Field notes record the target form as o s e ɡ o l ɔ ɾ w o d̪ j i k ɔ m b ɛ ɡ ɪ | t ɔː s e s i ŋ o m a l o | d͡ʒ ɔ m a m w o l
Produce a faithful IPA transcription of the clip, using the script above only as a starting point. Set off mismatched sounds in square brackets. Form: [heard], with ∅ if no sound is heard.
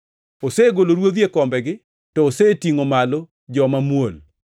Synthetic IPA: o s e ɡ o l [o] ɾ w o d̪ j [e] k ɔ m b ɛ ɡ ɪ | t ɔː s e [t] i ŋ o m a l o | d͡ʒ ɔ m a m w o l